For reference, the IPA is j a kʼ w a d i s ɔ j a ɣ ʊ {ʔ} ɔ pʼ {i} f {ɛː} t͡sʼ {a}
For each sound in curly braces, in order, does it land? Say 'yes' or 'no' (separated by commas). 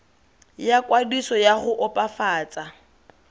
yes, no, no, yes